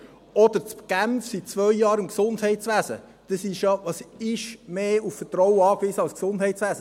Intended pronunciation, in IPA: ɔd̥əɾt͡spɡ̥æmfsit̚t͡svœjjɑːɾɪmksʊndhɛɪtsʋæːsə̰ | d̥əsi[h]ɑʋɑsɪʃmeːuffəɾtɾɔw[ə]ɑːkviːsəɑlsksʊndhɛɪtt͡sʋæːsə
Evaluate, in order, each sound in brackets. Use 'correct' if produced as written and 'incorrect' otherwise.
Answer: incorrect, correct

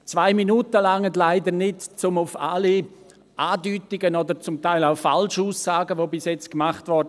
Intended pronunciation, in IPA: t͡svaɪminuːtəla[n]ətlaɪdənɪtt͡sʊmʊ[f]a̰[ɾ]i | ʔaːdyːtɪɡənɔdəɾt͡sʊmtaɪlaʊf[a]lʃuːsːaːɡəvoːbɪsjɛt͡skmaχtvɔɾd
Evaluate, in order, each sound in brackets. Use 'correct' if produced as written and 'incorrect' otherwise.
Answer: incorrect, correct, incorrect, correct

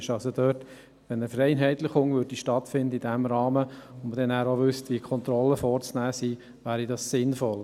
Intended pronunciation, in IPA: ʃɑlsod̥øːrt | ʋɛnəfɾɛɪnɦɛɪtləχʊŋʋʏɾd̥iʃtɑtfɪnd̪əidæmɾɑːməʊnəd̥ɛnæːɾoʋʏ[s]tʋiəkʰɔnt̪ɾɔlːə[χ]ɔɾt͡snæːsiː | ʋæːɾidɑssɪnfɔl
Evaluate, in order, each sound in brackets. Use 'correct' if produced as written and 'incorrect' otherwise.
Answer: correct, incorrect

